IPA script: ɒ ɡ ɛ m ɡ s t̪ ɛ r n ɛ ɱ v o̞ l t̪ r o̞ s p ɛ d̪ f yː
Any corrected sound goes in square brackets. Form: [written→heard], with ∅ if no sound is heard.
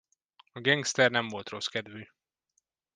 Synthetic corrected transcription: ɒ ɡ ɛ [m→ŋ] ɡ s t̪ ɛ r n ɛ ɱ v o̞ l t̪ r o̞ s [p→k] ɛ d̪ [f→v] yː